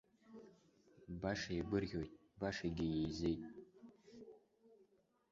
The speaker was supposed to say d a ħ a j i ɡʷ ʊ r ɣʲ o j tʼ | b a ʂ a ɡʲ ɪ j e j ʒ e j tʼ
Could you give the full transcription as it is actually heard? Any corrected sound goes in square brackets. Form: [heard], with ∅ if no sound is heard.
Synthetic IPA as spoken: [b] a [ʂ] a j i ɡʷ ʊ r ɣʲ o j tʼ | b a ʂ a ɡʲ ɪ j e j [z] e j tʼ